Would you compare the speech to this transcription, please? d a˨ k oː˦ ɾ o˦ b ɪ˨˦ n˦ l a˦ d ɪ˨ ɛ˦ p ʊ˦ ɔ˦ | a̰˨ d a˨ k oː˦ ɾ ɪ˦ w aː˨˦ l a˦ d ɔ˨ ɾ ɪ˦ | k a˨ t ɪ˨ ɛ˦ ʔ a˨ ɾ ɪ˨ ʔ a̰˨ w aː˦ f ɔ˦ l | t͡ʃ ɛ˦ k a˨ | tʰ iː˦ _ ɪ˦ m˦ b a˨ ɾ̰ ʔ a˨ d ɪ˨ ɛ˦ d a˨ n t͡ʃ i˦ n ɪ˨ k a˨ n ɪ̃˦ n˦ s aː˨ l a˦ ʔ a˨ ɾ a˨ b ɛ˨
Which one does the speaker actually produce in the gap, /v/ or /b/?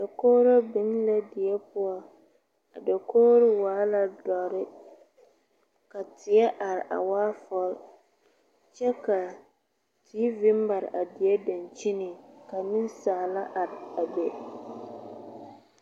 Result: v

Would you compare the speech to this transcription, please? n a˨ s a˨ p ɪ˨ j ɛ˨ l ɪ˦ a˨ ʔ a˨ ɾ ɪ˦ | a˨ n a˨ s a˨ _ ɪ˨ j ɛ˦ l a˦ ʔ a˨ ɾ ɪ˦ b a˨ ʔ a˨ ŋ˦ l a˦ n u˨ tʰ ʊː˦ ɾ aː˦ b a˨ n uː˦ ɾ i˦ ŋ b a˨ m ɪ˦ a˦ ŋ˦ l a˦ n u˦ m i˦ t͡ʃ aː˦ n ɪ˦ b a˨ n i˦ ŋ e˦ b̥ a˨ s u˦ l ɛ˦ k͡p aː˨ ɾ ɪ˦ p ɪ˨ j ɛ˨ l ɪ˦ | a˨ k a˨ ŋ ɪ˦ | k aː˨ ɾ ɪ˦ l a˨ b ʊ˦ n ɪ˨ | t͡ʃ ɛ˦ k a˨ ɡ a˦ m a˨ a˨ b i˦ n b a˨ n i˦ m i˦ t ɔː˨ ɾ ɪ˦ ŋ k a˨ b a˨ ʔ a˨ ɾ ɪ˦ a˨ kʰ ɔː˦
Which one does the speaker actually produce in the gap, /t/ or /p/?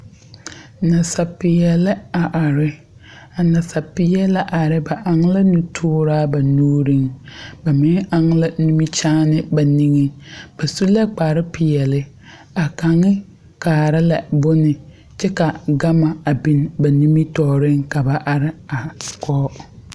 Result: p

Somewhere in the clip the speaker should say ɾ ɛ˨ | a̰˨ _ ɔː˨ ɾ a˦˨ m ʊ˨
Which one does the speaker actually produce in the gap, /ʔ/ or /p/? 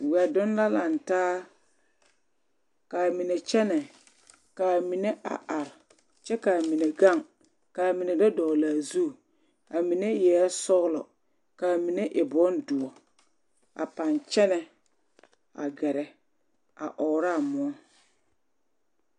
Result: ʔ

